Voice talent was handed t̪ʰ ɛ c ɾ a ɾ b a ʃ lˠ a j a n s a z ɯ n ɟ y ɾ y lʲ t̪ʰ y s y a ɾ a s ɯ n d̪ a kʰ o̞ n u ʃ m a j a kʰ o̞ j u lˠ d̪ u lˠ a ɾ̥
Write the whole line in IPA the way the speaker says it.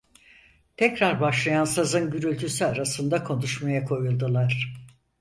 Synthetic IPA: t̪ʰ ɛ c ɾ a ɾ b a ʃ lˠ a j a n s a z ɯ n ɟ y ɾ y lʲ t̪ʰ y s y a ɾ a s ɯ n d̪ a kʰ o̞ n u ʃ m a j a kʰ o̞ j u lˠ d̪ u lˠ a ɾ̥